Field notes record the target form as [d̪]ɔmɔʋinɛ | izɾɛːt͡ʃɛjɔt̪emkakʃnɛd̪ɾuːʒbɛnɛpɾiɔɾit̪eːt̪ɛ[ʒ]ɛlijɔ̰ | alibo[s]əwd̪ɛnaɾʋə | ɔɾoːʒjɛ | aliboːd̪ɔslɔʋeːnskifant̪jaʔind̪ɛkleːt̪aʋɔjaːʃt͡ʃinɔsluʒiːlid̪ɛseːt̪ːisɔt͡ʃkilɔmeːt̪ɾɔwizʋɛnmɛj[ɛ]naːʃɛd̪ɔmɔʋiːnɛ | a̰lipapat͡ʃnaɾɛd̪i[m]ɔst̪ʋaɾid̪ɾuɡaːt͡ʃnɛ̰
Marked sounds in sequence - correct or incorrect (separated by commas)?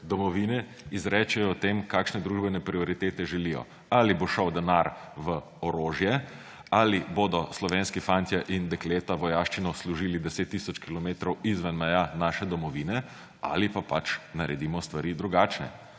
correct, correct, incorrect, incorrect, correct